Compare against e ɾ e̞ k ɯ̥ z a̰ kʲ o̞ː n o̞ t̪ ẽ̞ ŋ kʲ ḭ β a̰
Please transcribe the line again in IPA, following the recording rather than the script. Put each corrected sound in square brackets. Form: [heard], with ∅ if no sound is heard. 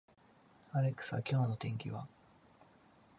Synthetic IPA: [a] ɾ e̞ k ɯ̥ [s] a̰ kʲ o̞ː n o̞ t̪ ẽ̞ ŋ kʲ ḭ β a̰